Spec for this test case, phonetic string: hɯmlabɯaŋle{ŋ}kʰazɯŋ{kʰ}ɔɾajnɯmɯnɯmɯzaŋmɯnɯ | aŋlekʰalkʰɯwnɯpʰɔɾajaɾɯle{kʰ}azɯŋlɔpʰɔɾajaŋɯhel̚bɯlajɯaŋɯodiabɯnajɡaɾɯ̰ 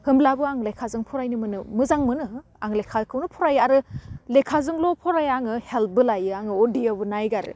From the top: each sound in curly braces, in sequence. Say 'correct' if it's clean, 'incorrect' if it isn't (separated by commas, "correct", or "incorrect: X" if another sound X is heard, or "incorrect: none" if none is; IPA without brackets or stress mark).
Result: incorrect: none, incorrect: pʰ, correct